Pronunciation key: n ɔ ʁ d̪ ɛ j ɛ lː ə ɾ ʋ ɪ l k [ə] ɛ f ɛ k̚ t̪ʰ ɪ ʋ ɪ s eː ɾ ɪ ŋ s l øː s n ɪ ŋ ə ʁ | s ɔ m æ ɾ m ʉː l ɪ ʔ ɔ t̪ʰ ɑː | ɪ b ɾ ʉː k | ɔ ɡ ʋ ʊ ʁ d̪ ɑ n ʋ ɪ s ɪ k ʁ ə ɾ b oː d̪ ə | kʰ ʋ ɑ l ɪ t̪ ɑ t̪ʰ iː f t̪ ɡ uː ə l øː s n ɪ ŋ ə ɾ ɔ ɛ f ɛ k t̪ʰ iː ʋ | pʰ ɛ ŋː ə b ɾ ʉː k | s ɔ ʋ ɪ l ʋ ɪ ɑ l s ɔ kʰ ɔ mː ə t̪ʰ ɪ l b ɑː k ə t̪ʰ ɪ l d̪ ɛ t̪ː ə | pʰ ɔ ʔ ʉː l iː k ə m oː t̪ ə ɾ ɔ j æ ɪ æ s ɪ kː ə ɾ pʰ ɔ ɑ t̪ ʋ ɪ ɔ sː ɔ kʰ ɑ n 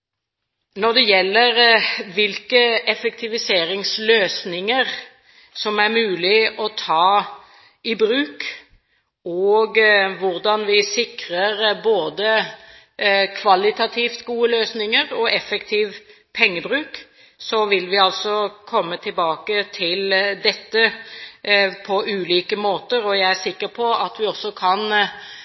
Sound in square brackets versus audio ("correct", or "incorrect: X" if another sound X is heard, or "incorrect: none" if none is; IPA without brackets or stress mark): correct